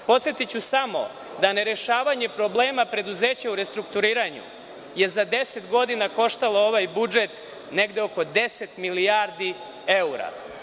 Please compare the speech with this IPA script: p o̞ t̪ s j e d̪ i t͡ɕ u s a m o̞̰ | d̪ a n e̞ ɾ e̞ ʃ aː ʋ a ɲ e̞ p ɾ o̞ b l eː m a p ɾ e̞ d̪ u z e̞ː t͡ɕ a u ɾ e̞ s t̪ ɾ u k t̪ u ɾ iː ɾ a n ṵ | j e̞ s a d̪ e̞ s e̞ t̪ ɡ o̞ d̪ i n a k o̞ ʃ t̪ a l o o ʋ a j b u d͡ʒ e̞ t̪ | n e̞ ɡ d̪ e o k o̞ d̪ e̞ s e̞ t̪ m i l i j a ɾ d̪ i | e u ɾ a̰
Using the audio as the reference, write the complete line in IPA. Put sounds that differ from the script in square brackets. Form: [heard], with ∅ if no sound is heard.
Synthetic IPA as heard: p o̞ t̪ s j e [t̪] i t͡ɕ u s a m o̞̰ | d̪ a n e̞ ɾ e̞ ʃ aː ʋ a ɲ e̞ p ɾ o̞ b l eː m a p ɾ e̞ d̪ u z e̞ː t͡ɕ a u ɾ e̞ s t̪ ɾ u k t̪ u ɾ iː ɾ a [ɲ] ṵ | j e̞ [z] a d̪ e̞ s e̞ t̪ ɡ o̞ d̪ i n a k o̞ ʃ t̪ a l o o ʋ a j b u d͡ʒ e̞ t̪ | n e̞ ɡ d̪ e o k o̞ d̪ e̞ s e̞ t̪ m i l i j a ɾ d̪ i | e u ɾ a̰